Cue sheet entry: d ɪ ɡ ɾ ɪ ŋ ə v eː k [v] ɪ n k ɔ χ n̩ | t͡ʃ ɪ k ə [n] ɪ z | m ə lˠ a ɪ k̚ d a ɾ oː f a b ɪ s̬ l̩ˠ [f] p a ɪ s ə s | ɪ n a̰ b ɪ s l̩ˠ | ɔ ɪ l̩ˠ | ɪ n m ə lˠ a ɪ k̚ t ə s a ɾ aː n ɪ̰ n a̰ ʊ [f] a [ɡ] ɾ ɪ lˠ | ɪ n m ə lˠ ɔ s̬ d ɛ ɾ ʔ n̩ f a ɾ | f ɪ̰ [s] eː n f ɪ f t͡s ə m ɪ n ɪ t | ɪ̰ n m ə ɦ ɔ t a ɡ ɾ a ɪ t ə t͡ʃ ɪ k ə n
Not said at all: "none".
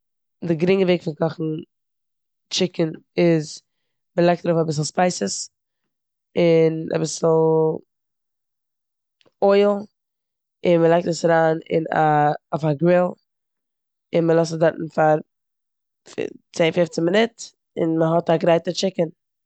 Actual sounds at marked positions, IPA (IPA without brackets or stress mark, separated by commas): f, n, s, f, ɡ, t͡s